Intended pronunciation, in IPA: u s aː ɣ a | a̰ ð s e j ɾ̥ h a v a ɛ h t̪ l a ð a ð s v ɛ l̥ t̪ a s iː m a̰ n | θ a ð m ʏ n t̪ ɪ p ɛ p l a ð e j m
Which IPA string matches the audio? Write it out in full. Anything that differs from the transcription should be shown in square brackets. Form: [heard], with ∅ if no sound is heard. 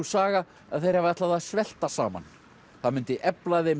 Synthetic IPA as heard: u s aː ɣ a | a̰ ð [θ] e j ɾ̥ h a v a ɛ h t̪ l a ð a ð s v ɛ l̥ t̪ a s [aː] m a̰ n | θ a ð m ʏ n t̪ ɪ [ʔ] ɛ p l a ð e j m